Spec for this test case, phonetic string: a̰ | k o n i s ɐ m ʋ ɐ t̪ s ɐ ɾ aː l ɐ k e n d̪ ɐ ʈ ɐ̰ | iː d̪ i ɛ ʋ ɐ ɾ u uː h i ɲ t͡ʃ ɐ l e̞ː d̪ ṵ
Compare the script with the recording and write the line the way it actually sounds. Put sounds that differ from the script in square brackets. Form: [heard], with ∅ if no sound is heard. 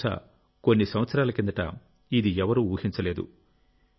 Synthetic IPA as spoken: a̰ | k o [nː] i s ɐ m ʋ ɐ t̪ s ɐ ɾ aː l ɐ k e n d̪ ɐ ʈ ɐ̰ | [i] d̪ i ɛ ʋ ɐ ɾ u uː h i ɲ t͡ʃ ɐ l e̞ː d̪ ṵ